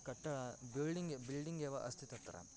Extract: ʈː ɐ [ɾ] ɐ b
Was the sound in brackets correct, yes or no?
no